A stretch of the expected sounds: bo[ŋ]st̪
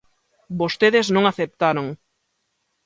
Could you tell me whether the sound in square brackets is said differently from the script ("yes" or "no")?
yes